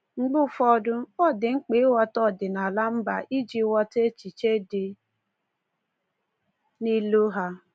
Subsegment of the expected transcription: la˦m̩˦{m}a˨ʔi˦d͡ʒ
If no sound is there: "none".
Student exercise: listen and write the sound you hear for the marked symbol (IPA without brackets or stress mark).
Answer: b